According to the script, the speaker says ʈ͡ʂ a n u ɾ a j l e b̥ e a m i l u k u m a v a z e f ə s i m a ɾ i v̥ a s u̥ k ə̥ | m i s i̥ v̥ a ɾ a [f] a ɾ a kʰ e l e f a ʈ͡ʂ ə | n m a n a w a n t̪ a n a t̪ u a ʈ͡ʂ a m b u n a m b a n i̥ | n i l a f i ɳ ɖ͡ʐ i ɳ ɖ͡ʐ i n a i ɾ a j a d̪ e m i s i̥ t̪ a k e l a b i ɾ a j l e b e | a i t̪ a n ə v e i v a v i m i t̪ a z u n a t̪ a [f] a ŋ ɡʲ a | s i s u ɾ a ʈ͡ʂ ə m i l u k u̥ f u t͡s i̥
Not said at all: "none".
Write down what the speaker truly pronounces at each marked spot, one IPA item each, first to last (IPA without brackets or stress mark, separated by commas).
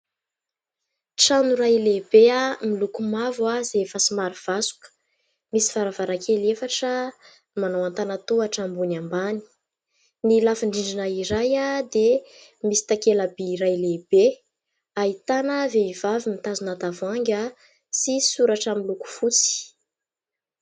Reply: v, v